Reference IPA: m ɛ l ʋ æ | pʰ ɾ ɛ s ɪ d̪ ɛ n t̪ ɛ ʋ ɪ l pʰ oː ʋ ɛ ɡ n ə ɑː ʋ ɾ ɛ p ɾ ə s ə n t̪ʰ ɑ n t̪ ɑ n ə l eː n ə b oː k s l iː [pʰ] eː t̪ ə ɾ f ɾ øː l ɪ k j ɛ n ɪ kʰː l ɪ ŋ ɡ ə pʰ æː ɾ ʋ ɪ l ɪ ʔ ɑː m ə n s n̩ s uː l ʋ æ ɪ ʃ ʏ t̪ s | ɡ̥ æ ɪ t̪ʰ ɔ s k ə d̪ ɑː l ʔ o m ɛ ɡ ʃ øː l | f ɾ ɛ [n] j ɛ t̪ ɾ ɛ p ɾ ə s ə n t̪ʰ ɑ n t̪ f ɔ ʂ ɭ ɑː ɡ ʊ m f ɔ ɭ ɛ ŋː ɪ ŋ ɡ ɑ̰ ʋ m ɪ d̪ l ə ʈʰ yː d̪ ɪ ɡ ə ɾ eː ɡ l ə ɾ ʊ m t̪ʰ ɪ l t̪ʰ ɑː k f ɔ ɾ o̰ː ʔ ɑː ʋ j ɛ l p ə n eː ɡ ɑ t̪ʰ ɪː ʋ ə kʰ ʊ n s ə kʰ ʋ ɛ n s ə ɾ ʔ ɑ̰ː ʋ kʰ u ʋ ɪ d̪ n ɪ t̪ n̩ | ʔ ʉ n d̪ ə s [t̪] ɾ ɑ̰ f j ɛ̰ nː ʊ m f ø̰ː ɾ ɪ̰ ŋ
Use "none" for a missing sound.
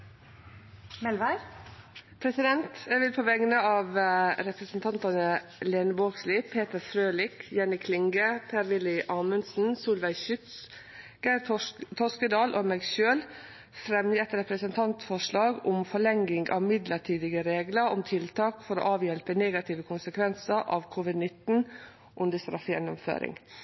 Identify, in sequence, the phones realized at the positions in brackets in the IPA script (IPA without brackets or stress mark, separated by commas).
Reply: pʰ, m, t̪